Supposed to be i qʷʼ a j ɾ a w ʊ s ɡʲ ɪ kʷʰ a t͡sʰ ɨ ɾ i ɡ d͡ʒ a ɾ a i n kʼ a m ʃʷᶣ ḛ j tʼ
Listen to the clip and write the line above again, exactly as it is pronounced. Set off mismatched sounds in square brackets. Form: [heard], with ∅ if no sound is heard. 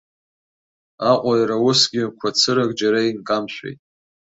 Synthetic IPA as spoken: [a] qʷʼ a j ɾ a w ʊ s ɡʲ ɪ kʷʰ a t͡sʰ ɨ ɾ [a] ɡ d͡ʒ a ɾ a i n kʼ a m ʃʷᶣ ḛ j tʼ